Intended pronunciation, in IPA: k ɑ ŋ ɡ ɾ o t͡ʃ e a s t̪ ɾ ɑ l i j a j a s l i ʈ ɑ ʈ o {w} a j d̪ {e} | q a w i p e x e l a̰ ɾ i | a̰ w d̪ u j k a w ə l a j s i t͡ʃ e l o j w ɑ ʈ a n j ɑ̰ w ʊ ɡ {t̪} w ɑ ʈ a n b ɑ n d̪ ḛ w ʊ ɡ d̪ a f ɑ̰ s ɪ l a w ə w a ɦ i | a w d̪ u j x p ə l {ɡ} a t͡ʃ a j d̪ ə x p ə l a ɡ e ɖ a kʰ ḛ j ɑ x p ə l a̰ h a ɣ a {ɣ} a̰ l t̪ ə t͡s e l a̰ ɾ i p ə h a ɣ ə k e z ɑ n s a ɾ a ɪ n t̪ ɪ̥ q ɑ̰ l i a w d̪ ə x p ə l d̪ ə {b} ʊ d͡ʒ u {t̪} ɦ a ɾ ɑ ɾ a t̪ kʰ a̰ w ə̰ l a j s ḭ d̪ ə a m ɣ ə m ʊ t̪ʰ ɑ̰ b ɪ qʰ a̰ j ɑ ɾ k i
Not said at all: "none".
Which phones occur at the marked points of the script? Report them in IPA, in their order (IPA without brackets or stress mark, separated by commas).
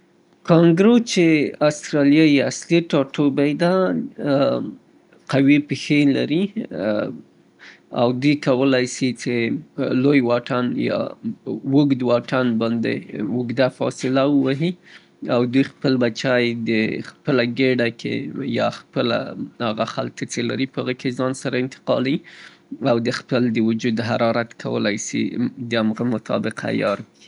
b, a, d̪, b, x, w, d̪